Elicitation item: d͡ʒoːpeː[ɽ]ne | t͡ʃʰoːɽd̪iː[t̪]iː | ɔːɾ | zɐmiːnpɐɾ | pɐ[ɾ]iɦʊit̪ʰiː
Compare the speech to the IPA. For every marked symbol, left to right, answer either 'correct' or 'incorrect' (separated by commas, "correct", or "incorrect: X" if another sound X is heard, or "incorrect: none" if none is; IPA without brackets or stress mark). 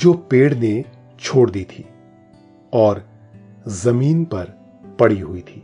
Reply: correct, incorrect: t̪ʰ, incorrect: ɽ